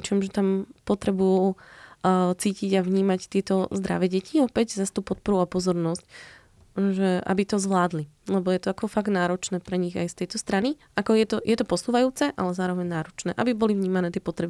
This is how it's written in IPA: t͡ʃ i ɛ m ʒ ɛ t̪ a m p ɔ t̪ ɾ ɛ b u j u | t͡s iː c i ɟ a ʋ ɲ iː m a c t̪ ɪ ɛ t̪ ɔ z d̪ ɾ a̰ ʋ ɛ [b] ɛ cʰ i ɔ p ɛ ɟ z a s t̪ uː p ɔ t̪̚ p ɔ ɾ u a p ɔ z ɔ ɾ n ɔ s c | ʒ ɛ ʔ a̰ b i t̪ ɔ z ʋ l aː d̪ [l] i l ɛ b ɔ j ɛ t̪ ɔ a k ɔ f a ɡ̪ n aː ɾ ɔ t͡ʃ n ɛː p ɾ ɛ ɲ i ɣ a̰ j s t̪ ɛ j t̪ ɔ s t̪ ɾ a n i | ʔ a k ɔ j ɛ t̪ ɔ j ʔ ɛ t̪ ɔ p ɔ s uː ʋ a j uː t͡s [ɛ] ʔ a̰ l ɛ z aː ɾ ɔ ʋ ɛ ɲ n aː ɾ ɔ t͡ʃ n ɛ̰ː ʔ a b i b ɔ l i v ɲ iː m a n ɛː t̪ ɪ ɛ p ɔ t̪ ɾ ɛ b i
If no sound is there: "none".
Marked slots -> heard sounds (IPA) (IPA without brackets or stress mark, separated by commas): ɟ, l, ɛ